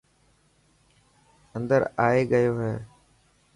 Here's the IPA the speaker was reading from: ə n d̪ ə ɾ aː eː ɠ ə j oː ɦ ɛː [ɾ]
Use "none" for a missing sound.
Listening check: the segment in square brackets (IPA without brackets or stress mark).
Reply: none